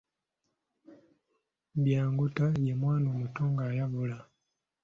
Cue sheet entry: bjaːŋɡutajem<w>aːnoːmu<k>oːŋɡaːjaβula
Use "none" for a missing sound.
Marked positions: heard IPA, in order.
w, t

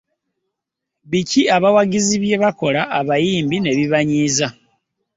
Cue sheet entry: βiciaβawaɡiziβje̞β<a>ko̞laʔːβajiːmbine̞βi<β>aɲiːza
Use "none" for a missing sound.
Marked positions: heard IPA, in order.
a, β

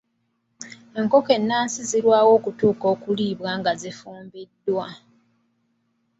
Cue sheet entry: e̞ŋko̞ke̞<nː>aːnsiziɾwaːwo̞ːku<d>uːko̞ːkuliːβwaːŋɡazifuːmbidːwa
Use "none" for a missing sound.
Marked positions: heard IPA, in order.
nː, t

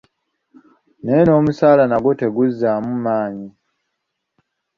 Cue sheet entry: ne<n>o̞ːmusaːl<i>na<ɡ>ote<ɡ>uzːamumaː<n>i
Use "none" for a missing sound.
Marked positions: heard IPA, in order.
n, a, ɡ, ɡ, ɲ

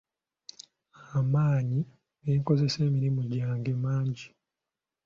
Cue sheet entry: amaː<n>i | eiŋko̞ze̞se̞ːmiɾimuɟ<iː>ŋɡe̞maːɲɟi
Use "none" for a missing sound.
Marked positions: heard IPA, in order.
ɲ, aː

